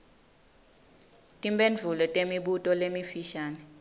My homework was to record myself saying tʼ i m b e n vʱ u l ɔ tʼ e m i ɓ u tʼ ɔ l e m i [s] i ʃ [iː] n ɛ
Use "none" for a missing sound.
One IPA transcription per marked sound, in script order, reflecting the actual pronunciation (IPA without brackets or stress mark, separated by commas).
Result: f, aː